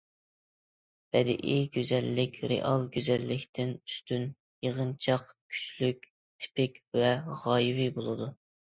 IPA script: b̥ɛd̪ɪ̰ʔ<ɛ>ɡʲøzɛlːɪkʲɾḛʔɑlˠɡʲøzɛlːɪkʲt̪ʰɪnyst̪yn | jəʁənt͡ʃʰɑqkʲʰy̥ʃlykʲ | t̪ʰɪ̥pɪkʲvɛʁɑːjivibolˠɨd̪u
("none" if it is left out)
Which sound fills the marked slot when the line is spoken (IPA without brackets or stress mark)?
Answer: i